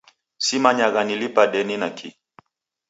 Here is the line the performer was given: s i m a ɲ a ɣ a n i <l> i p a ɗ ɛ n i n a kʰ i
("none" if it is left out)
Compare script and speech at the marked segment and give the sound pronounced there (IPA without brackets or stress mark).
l